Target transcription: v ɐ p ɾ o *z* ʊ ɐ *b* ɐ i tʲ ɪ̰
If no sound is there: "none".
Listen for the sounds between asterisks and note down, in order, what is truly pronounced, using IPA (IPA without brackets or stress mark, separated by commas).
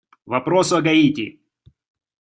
s, ɡ